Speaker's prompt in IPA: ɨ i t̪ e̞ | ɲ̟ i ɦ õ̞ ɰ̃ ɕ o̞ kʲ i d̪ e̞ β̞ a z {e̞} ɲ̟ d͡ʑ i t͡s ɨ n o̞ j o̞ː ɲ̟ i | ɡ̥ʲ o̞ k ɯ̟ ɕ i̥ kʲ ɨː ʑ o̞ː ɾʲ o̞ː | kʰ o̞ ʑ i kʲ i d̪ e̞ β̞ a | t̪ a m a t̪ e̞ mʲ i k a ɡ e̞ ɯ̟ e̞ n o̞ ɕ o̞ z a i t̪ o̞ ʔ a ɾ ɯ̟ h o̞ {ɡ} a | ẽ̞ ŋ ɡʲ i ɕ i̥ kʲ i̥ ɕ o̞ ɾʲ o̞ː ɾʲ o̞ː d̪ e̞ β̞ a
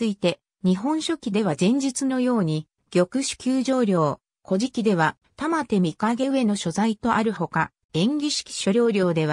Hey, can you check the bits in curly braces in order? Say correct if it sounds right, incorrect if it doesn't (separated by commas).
incorrect, incorrect